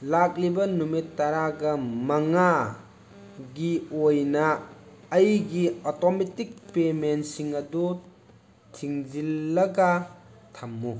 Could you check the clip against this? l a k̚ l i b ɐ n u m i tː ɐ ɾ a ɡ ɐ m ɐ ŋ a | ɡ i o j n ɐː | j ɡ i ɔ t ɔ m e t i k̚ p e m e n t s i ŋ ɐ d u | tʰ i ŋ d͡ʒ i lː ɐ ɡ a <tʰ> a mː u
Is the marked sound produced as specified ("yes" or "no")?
yes